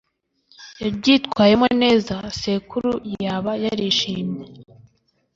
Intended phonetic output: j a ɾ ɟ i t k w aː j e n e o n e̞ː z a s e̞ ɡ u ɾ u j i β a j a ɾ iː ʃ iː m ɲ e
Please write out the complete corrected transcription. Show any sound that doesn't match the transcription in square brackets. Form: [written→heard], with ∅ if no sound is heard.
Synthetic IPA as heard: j a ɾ ɟ i t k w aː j e [n→m] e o n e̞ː z a s e̞ [ɡ→k] u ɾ u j [i→a] β a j a ɾ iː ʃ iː m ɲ e